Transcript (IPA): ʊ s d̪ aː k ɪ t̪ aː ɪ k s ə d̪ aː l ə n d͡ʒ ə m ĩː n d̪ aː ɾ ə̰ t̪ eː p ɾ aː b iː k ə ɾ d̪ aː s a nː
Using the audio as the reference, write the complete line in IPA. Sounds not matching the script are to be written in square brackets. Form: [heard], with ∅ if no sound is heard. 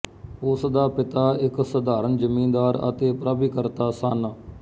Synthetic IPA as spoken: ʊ s d̪ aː [p] ɪ t̪ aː ɪ k s ə d̪ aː [ɾ] ə n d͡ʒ ə m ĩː n d̪ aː ɾ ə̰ t̪ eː p ɾ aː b iː k ə ɾ [t̪] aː s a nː

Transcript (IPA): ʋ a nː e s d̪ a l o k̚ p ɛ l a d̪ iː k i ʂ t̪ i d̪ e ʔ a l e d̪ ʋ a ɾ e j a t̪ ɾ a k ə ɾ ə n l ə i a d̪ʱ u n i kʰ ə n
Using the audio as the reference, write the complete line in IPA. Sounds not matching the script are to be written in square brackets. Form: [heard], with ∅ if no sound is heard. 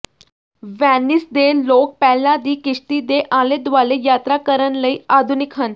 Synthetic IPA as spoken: ʋ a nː [i] s d̪ [e] l o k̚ p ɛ l a d̪ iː k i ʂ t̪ i d̪ e ʔ a l e d̪ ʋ a [l] e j a t̪ ɾ a k ə ɾ ə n l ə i a d̪ʱ u n i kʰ ə n

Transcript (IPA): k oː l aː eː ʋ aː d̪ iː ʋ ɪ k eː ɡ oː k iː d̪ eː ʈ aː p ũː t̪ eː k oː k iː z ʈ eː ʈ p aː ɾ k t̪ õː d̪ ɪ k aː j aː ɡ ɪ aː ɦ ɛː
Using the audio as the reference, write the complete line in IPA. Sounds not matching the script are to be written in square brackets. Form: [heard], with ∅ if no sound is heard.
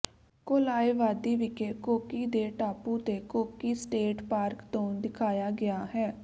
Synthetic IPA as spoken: k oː l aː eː ʋ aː d̪ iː ʋ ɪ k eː [k] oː k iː d̪ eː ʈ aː p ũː t̪ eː k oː k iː [s] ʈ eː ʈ p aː ɾ k t̪ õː d̪ ɪ [kʰ] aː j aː ɡ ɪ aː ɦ ɛː

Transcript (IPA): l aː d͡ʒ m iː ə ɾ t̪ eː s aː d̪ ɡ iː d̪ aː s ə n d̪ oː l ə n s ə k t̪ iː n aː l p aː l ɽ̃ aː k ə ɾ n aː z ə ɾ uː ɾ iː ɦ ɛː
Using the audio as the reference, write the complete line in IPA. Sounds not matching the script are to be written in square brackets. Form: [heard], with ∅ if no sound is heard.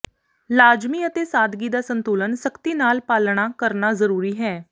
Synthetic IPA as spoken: l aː d͡ʒ m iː ə [∅] t̪ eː s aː d̪ ɡ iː d̪ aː s ə n [t̪] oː l ə n s ə k t̪ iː n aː l p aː l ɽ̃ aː k ə ɾ n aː z ə ɾ uː ɾ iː ɦ ɛː

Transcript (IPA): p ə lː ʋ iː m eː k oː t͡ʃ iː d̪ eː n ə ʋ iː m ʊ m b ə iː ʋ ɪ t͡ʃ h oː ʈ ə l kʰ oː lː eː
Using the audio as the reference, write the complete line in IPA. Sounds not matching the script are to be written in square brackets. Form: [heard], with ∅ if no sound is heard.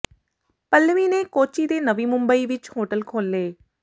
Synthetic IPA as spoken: p ə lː ʋ iː [n] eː k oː t͡ʃ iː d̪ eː n ə ʋ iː m ʊ m b ə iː ʋ ɪ t͡ʃ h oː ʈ ə l kʰ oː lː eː

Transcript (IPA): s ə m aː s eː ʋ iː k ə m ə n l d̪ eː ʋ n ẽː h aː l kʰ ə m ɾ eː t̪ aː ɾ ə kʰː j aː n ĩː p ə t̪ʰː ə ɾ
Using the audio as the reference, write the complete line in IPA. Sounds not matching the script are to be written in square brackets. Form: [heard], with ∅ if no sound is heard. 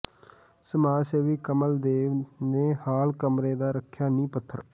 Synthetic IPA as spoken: s ə m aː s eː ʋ iː k ə m ə [∅] l d̪ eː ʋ n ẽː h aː l [k] ə m ɾ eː [d̪] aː ɾ ə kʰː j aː n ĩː p ə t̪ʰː ə ɾ

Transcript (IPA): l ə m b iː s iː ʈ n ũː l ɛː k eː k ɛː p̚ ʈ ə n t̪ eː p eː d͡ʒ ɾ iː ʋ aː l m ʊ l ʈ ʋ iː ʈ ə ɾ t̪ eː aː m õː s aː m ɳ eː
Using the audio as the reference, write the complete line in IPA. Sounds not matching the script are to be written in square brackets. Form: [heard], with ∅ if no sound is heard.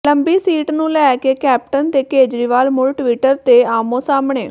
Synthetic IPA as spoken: l ə m b iː s iː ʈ n ũː l ɛː k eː k ɛː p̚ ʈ ə n t̪ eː [k] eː d͡ʒ ɾ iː ʋ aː l m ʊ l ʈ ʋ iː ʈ ə ɾ t̪ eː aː m õː s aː m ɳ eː

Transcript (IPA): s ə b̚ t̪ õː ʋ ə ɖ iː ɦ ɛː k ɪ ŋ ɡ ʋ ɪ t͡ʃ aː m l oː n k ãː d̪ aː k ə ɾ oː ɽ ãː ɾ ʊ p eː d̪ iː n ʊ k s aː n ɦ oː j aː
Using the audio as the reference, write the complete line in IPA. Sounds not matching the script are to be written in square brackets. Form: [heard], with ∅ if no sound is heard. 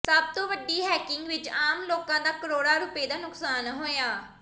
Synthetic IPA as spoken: s ə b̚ t̪ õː ʋ ə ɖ iː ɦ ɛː k ɪ ŋ ɡ ʋ ɪ t͡ʃ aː m l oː [∅] k ãː d̪ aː k ə ɾ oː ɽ [aː] ɾ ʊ p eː d̪ [aː] n ʊ k s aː n ɦ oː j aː

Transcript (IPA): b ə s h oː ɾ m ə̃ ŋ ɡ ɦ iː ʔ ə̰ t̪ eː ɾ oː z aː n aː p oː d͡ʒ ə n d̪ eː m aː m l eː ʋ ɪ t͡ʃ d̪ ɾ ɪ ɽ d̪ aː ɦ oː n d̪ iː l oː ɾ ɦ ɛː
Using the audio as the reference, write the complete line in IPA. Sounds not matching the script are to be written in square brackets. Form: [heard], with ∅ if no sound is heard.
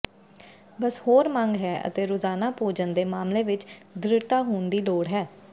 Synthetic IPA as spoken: b ə s h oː ɾ m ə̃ ŋ ɡ ɦ [ɛː] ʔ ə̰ t̪ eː ɾ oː z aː n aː p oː d͡ʒ ə n d̪ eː m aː m l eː ʋ ɪ t͡ʃ d̪ ɾ ɪ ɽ [t̪] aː ɦ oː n d̪ iː l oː [ɽ] ɦ ɛː

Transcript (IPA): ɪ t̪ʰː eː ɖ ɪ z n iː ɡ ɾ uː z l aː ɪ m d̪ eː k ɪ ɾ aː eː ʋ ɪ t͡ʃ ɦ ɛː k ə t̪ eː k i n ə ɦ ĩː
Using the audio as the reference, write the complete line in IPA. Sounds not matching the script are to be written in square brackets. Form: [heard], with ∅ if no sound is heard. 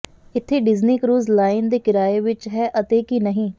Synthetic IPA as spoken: ɪ t̪ʰː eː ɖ ɪ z n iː [k] ɾ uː z l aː ɪ [n] d̪ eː k ɪ ɾ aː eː ʋ ɪ t͡ʃ ɦ ɛː [ʔ] ə t̪ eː k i n ə ɦ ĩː

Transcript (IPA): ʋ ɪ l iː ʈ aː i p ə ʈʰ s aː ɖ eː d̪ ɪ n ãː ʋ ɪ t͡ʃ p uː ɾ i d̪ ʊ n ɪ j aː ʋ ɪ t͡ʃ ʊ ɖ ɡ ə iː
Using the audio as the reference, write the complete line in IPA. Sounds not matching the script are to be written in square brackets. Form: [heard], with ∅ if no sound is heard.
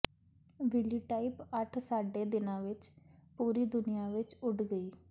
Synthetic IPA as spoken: ʋ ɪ l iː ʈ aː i p ə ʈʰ s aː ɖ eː d̪ ɪ n ãː ʋ ɪ t͡ʃ p uː ɾ [iː] d̪ ʊ n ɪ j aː ʋ ɪ t͡ʃ ʊ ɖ ɡ ə iː

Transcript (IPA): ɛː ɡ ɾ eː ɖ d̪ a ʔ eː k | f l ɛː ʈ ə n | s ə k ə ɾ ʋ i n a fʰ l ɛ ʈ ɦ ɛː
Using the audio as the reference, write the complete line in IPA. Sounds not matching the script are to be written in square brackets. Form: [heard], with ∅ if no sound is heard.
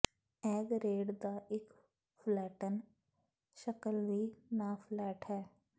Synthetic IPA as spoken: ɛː ɡ ɾ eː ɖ d̪ a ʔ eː k | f l ɛː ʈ ə n | [ʃ] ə k ə [l] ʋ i n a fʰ l [ɛː] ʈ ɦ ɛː

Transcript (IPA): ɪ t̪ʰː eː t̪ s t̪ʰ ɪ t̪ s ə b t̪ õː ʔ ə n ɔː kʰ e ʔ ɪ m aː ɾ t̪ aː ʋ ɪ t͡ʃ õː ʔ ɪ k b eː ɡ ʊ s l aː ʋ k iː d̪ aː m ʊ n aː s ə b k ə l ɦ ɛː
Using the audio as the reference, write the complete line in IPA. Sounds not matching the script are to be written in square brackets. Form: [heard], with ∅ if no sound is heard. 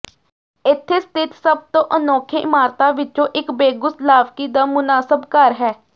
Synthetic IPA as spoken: ɪ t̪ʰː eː [∅] s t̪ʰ ɪ t̪ s ə b t̪ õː ʔ ə n ɔː kʰ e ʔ ɪ m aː ɾ t̪ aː ʋ ɪ t͡ʃ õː ʔ ɪ k b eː ɡ ʊ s l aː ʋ k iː d̪ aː m ʊ n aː s ə b k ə [ɾ] ɦ ɛː

